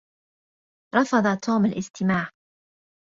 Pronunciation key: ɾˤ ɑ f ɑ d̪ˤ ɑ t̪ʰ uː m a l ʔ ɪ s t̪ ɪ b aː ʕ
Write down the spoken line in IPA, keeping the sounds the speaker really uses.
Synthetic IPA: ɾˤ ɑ f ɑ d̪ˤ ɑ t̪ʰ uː m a l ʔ ɪ s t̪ ɪ m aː ʕ